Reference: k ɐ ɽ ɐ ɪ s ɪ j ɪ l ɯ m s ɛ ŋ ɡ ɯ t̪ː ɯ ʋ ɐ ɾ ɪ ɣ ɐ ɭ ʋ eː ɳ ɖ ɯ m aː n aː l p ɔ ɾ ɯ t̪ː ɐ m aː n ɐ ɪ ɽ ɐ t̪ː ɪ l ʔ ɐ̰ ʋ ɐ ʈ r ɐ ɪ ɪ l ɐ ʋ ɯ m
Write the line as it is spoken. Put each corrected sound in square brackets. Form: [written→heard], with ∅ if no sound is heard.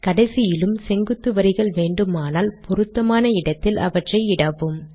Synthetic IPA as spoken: k ɐ ɽ ɐ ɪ s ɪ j ɪ l ɯ m s ɛ ŋ ɡ ɯ t̪ː ɯ ʋ ɐ ɾ ɪ ɣ ɐ ɭ ʋ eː ɳ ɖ ɯ m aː n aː l p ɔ ɾ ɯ t̪ː ɐ m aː n ɐ ɪ ɽ ɐ t̪ː ɪ l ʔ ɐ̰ ʋ ɐ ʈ r ɐ ɪ ɪ [l→ɽ] ɐ ʋ ɯ m